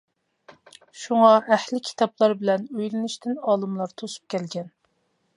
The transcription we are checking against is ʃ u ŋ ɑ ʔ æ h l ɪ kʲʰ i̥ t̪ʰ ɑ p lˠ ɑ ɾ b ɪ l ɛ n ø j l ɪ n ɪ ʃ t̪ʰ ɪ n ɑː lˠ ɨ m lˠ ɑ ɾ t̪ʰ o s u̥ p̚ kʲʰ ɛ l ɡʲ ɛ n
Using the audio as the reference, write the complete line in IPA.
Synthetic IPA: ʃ u ŋ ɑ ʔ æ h l ɪ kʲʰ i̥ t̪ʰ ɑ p lˠ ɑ ɾ b ɪ l ɛ n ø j l ɪ n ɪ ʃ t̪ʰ ɪ n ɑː lˠ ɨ m lˠ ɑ ɾ t̪ʰ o s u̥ p̚ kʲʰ ɛ l ɡʲ ɛ n